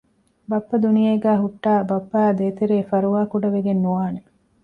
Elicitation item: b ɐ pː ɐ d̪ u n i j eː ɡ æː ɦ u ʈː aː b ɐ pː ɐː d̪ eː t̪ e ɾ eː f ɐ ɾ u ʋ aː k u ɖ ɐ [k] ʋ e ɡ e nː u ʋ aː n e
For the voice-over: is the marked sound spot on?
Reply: no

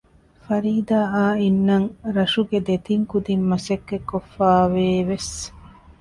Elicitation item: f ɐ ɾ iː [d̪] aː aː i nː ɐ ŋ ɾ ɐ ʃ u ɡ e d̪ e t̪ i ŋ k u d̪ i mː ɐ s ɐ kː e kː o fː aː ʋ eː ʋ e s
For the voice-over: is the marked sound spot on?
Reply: yes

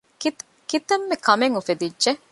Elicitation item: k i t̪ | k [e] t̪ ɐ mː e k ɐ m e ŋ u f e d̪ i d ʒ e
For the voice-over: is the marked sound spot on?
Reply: no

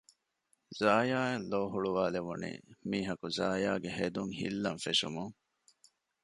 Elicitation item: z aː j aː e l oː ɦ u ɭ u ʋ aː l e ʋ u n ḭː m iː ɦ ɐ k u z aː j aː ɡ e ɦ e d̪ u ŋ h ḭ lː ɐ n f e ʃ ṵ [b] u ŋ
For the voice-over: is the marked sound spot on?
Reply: no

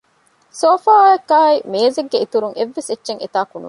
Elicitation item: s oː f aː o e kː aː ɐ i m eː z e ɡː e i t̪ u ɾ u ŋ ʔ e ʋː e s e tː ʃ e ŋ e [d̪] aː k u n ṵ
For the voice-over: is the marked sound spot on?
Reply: no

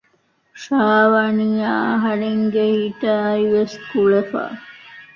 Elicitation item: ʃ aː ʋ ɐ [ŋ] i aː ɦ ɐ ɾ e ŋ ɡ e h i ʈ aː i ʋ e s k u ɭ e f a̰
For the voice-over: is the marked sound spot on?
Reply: no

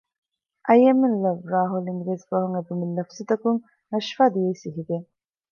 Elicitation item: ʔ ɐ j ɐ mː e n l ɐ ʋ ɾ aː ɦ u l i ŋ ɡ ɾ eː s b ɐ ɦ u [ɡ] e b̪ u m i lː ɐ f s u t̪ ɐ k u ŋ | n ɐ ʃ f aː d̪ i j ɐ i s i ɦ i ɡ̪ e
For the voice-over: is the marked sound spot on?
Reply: no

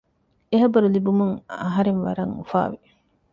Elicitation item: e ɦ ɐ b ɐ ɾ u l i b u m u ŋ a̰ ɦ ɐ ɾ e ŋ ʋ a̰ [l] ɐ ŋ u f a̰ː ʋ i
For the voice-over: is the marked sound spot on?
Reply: no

